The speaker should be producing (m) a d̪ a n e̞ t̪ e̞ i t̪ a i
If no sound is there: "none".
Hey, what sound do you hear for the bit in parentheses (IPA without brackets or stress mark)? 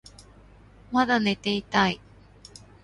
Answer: m